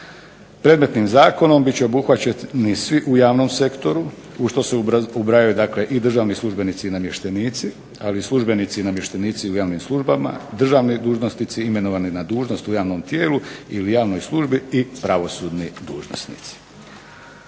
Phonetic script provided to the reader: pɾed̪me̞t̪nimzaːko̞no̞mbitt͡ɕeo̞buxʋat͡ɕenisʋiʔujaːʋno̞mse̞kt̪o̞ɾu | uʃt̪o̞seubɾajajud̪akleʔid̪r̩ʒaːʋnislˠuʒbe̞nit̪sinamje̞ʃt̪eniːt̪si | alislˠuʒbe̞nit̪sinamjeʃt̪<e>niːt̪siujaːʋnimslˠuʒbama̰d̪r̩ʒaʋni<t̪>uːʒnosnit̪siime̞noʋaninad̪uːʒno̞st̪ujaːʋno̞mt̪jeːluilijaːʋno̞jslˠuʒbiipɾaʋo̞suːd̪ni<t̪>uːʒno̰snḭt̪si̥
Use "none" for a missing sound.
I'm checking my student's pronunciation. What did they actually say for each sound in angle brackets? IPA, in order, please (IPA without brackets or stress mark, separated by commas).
e, d̪, d̪